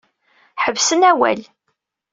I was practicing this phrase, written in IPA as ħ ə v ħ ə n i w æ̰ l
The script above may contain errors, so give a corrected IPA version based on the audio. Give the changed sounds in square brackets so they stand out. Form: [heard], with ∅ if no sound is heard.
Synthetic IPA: ħ ə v [s] ə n [æ] w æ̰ l